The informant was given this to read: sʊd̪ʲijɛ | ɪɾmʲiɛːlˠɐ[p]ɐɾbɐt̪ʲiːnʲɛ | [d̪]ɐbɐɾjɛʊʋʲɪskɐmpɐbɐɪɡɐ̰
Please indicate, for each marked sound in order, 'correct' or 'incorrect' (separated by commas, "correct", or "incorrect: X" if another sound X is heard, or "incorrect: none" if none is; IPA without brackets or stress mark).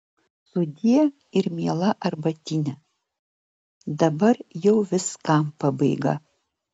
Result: incorrect: ʔ, correct